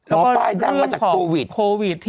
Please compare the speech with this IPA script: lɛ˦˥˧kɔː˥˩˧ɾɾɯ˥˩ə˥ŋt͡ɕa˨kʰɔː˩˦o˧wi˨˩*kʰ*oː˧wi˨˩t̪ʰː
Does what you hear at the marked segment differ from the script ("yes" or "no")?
no